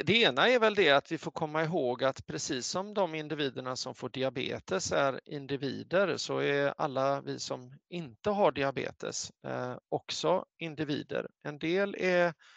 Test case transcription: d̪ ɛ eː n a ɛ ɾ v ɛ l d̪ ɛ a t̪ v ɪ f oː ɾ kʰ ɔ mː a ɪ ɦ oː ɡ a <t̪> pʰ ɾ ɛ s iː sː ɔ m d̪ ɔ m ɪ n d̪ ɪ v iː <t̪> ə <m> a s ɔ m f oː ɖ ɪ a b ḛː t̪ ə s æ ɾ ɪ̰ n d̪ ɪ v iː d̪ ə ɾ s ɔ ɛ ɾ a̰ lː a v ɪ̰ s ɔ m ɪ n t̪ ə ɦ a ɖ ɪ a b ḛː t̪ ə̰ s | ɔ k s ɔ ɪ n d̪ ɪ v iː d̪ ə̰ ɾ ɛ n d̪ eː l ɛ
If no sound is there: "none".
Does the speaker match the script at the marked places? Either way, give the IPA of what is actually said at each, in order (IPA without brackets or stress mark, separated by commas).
t̪, d̪, ɳ